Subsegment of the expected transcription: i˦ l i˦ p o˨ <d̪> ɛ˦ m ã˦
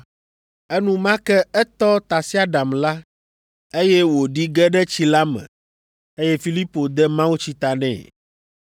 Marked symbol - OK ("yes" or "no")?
yes